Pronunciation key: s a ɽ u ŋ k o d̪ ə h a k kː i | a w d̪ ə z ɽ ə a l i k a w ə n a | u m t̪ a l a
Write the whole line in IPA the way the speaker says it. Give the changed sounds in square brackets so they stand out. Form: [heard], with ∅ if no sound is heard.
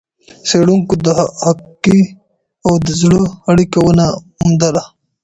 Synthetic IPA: s [e] ɽ u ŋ k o d̪ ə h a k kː i | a w d̪ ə z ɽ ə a [ɽ] i k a w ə n a | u m [d̪] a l a